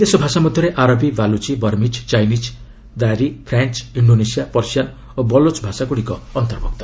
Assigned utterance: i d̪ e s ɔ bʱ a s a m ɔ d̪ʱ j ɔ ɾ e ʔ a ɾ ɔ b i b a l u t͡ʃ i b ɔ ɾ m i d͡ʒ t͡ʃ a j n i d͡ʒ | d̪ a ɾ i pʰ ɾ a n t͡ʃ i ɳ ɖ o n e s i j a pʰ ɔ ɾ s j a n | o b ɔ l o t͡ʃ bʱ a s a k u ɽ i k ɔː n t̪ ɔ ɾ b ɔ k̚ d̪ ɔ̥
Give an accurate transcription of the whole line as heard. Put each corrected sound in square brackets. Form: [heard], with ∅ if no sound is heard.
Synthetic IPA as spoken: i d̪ e s ɔ bʱ a s a m ɔ d̪ʱ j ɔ ɾ e ʔ a ɾ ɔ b i b a l u t͡ʃ i b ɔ ɾ m i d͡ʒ t͡ʃ a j n i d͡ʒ | d̪ a ɾ i pʰ ɾ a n t͡ʃ i ɳ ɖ o n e s i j a [p] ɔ ɾ s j a n | o b ɔ l o t͡ʃ bʱ a s a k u ɽ i k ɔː n t̪ ɔ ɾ b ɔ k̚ [t̪] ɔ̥